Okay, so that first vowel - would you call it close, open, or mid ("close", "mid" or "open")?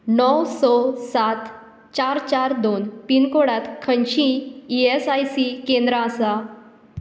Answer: mid